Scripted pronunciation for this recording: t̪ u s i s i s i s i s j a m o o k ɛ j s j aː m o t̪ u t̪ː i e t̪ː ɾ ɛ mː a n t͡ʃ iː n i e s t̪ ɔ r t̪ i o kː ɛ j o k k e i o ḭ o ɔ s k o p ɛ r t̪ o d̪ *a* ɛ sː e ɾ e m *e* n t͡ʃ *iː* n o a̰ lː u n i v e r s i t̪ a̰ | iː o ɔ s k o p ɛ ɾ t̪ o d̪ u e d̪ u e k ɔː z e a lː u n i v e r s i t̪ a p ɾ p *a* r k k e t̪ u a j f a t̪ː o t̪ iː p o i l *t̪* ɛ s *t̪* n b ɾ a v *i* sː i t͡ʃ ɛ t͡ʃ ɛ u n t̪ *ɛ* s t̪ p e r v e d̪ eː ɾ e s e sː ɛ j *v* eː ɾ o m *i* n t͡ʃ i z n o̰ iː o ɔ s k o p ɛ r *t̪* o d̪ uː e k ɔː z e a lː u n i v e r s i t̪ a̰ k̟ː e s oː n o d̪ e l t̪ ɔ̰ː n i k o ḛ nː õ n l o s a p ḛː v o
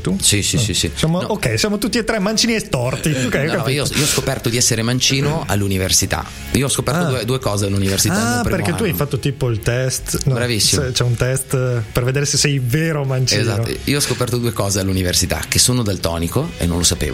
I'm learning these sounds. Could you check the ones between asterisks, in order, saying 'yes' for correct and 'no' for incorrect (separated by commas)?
no, no, yes, no, yes, yes, yes, yes, yes, no, yes